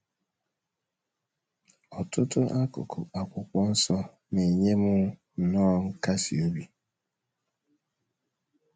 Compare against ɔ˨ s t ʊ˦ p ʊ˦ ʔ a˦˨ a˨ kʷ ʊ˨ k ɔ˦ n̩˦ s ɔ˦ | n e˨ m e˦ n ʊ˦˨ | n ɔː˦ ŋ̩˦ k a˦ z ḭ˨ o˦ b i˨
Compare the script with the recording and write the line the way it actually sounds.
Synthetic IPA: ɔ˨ t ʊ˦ t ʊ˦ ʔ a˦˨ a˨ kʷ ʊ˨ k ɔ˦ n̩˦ s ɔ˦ | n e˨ ɲ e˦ m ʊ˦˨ | n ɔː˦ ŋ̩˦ k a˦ s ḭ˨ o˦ b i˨